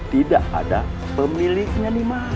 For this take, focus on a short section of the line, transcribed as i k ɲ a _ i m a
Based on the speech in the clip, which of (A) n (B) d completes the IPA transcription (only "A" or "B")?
A